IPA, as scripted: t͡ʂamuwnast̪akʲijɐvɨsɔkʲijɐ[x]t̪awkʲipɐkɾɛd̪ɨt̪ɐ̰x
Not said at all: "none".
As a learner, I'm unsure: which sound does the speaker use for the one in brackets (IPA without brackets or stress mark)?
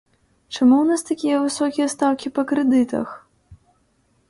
s